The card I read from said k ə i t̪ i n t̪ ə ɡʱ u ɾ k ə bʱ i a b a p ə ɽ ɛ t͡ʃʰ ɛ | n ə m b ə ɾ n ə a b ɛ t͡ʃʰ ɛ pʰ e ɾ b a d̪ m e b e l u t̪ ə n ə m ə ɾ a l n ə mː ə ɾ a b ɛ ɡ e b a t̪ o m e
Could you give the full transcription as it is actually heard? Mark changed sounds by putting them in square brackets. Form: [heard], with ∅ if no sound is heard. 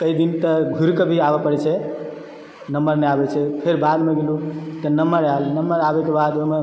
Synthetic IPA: k ə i [d̪] i n t̪ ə ɡʱ u ɾ k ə bʱ i a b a p ə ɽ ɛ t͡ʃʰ ɛ | n ə m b ə ɾ n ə a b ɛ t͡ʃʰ ɛ pʰ e ɾ b a d̪ m e [ɡ] e l u t̪ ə n ə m ə ɾ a l n ə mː ə ɾ a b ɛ [k] e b a [d̪] o m e